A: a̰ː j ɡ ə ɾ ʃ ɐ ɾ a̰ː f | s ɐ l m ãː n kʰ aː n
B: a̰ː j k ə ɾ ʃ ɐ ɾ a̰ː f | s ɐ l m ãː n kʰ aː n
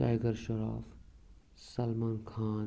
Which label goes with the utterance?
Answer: A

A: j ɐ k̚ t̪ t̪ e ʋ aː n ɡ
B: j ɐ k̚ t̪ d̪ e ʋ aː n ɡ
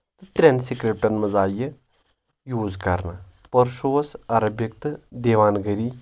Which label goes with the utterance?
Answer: B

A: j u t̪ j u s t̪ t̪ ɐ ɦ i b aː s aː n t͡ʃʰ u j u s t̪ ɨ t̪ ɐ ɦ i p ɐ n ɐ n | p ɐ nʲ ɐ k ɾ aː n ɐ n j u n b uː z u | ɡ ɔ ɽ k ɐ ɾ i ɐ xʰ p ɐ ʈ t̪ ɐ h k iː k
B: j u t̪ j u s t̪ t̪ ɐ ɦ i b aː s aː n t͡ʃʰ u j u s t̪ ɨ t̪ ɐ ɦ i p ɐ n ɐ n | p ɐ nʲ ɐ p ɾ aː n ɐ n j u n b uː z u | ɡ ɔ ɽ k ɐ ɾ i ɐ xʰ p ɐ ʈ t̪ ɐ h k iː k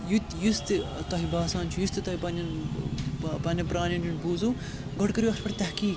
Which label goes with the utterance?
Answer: B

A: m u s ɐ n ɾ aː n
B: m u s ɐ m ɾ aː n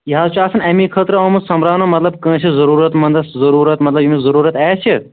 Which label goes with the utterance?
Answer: B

